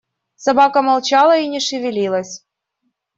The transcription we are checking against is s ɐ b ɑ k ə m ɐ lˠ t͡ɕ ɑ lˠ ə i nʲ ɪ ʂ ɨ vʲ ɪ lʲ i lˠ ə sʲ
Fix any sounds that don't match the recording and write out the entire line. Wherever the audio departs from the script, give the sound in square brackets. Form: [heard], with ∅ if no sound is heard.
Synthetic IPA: s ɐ b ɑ k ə m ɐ lˠ t͡ɕ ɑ lˠ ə i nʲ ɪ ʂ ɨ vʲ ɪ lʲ i lˠ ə sʲ